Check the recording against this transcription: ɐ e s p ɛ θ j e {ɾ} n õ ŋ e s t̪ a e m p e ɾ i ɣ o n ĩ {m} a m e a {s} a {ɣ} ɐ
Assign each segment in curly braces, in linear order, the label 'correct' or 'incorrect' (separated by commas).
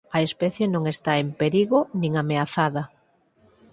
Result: incorrect, incorrect, incorrect, incorrect